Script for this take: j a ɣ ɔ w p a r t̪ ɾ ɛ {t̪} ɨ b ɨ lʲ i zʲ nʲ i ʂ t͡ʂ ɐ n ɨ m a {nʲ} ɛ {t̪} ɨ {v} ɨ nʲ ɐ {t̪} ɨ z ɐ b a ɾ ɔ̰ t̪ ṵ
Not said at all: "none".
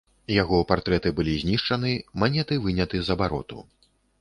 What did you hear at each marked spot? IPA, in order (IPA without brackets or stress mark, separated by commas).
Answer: t̪, nʲ, t̪, v, t̪